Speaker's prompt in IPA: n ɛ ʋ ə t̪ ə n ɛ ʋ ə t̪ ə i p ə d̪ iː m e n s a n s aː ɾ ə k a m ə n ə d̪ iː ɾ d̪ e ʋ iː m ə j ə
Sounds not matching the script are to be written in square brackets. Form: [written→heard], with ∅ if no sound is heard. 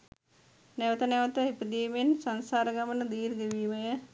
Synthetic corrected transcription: n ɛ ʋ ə t̪ ə n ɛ ʋ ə t̪ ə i p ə d̪ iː m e n s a n s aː ɾ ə [k→ɡ] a m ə n ə d̪ iː ɾ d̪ e ʋ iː m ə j ə

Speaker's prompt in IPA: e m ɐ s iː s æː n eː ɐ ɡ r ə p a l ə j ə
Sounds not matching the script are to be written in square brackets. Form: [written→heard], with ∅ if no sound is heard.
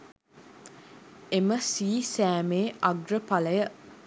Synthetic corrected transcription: e m [ɐ→ə] s iː s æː [n→m] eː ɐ ɡ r ə p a l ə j ə

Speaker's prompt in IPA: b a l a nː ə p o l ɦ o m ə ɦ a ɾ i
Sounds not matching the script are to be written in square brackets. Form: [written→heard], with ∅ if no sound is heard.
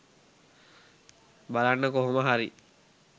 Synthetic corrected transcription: b a l a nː ə [p→k] o [l→∅] ɦ o m ə ɦ a ɾ i

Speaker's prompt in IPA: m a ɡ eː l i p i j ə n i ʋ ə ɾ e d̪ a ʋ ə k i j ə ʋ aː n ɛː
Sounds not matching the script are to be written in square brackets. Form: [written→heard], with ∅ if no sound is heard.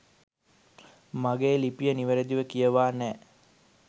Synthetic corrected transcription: m a ɡ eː l i p i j ə n i ʋ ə ɾ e d̪ [a→i] ʋ ə k i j ə ʋ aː n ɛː

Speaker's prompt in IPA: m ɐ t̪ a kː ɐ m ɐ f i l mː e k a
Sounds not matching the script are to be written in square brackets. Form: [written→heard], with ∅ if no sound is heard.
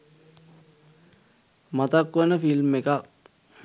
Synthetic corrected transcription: m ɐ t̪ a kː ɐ [m→n] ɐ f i l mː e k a

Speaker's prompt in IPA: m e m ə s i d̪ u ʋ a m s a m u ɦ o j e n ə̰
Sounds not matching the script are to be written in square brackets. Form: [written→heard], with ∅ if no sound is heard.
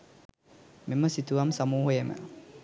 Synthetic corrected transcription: m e m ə s i [d̪→t̪] u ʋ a m s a m [u→uː] ɦ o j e [n→m] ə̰

